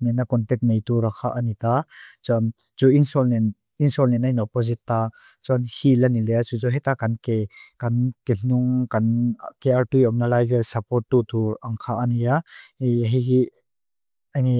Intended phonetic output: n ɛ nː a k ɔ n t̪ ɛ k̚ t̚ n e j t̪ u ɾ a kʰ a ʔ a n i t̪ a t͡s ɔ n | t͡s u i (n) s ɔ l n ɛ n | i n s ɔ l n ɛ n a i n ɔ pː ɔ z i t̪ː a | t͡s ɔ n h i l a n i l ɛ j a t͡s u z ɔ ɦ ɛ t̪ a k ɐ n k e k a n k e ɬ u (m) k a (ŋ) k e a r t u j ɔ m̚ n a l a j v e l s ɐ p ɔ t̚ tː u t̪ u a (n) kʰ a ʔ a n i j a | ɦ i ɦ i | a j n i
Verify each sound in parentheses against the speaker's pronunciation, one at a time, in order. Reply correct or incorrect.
correct, incorrect, incorrect, incorrect

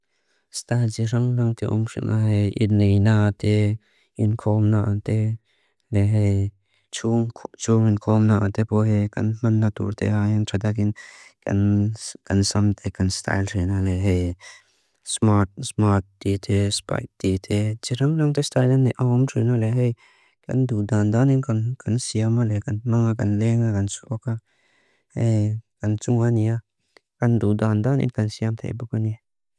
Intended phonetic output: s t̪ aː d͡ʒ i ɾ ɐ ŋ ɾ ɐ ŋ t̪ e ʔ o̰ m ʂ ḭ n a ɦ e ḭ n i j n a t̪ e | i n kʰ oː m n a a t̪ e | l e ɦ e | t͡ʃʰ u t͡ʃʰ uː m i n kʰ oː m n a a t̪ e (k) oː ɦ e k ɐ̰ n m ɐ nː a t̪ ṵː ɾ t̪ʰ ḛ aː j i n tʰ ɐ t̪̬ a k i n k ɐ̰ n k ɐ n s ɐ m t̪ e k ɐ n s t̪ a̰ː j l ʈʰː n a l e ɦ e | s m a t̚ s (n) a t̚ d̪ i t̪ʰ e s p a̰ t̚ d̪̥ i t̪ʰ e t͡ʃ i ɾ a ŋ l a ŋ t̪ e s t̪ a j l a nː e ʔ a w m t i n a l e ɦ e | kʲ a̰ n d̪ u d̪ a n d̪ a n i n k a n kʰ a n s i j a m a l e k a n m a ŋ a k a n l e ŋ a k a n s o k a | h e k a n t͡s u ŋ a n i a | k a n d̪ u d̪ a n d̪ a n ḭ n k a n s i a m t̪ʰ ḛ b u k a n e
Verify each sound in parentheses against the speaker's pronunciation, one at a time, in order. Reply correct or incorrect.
incorrect, incorrect

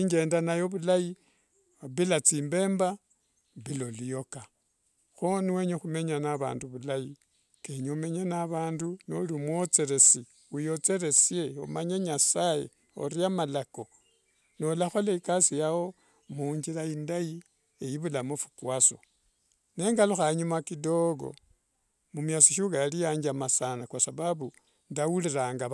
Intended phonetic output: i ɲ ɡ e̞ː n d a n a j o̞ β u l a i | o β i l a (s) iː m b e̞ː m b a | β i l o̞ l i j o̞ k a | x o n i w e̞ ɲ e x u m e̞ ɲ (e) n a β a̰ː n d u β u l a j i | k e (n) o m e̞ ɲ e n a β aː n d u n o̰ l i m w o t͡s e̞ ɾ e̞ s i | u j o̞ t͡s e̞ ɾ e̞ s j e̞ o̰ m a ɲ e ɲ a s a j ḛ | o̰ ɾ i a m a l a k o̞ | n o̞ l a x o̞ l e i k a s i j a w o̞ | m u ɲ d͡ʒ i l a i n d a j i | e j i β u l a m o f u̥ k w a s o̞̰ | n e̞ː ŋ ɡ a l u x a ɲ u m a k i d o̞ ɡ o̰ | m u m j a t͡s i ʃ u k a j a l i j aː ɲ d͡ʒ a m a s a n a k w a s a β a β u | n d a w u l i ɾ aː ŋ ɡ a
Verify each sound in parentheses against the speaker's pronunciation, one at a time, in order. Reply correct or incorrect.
incorrect, incorrect, incorrect

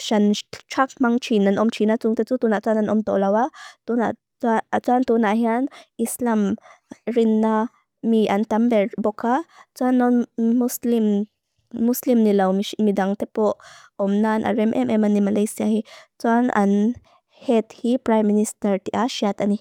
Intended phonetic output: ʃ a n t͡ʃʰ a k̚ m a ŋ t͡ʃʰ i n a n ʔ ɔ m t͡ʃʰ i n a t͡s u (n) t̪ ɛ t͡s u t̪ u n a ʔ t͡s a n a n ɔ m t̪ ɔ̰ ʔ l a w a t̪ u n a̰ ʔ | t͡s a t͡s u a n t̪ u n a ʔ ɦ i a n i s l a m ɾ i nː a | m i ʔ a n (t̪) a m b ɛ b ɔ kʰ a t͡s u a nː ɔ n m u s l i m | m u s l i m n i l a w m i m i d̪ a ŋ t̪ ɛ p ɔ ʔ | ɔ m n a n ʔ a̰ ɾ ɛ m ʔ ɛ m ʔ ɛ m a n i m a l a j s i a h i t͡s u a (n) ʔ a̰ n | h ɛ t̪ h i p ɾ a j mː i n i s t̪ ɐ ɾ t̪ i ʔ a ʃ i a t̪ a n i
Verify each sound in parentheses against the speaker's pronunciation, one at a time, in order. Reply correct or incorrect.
incorrect, correct, correct

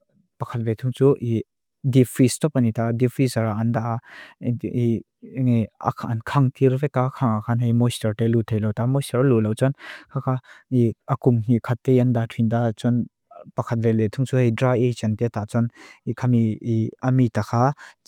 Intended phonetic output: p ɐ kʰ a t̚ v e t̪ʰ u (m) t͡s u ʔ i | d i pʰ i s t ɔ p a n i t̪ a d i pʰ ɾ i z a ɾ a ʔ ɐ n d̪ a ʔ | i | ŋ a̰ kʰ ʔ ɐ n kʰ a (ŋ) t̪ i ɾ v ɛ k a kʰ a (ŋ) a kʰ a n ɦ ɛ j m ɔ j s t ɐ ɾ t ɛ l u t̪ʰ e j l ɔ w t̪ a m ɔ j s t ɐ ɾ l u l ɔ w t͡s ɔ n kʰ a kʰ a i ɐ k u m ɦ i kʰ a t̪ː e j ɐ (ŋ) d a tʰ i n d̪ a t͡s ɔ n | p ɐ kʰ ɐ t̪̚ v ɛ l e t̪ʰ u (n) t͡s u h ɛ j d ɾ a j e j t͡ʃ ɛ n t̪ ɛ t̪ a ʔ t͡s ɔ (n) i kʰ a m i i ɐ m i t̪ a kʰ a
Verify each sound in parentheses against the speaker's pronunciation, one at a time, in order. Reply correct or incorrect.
incorrect, correct, correct, incorrect, incorrect, correct

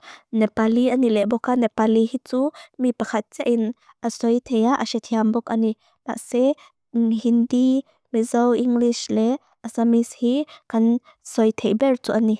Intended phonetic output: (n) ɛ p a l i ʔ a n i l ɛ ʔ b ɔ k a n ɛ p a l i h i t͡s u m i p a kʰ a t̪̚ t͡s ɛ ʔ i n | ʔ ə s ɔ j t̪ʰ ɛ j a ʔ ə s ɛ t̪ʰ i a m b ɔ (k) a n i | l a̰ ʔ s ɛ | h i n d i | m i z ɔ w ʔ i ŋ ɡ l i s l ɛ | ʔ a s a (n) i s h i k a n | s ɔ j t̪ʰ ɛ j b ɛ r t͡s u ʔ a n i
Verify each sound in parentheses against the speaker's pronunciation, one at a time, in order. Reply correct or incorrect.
correct, correct, incorrect

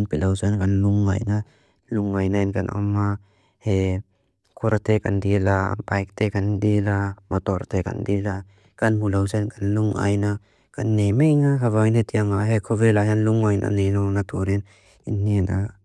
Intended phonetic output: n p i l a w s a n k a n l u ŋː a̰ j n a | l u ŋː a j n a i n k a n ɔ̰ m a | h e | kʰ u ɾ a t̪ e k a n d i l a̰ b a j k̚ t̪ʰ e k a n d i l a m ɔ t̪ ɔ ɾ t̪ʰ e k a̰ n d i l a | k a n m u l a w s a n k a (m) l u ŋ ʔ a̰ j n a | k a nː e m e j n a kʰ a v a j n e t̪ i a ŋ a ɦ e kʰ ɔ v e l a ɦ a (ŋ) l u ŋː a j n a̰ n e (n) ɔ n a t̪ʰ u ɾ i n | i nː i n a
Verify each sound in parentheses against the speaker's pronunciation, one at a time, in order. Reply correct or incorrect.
incorrect, incorrect, correct

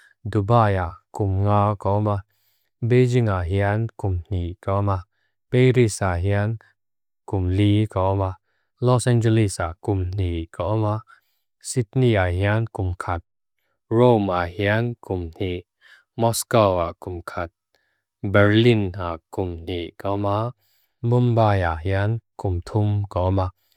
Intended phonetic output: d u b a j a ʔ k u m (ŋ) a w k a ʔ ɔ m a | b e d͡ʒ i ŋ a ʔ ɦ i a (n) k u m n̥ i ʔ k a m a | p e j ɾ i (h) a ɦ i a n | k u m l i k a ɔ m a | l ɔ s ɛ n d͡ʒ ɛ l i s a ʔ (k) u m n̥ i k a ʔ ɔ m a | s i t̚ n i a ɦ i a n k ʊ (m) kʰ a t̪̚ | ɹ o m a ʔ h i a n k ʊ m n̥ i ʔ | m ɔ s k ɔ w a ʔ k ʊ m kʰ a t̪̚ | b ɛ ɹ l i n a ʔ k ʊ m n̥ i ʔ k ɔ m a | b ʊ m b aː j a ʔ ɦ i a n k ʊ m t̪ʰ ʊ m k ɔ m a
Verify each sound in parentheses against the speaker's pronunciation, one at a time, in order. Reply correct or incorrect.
correct, correct, incorrect, correct, correct

